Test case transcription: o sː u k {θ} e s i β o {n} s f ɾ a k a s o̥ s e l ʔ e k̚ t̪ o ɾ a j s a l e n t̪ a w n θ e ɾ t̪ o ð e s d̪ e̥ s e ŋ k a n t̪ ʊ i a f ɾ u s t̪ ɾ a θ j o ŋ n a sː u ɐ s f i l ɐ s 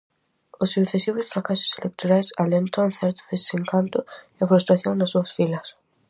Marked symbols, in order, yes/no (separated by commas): yes, no